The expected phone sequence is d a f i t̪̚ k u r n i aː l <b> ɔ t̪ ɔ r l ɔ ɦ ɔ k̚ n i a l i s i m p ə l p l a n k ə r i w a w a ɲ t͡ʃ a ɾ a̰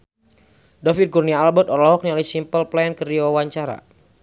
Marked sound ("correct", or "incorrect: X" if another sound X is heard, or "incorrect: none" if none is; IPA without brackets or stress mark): correct